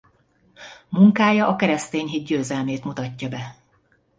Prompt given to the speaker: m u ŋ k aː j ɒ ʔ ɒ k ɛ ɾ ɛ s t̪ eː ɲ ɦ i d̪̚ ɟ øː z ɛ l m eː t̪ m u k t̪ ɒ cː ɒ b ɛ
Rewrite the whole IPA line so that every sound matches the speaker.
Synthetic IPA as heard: m u ŋ k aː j ɒ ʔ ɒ k ɛ ɾ ɛ s t̪ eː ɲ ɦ i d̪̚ ɟ øː z ɛ l m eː t̪ m u t̪ ɒ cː ɒ b ɛ